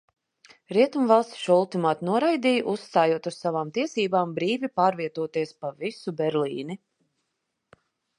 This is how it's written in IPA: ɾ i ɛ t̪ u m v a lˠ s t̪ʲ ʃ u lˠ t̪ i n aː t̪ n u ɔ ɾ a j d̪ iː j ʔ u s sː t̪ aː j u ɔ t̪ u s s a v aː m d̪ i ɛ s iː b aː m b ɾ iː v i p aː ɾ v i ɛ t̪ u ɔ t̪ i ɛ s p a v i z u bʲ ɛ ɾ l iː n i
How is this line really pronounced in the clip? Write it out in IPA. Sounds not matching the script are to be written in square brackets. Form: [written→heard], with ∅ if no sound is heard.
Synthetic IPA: ɾ i ɛ t̪ u m v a lˠ s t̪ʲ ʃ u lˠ t̪ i [n→m] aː t̪ n u ɔ ɾ a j d̪ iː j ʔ u s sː t̪ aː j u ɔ t̪ u s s a v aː m [d̪→t̪] i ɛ s iː b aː m b ɾ iː v i p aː ɾ v i ɛ t̪ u ɔ t̪ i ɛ s p a v i [z→s] u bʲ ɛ ɾ l iː n i